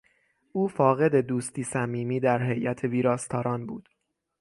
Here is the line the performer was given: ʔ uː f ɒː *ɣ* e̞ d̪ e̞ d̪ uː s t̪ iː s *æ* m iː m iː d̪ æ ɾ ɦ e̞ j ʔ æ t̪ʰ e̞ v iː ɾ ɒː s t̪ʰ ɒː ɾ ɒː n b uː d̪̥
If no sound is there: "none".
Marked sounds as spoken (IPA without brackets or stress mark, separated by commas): ɣ, æ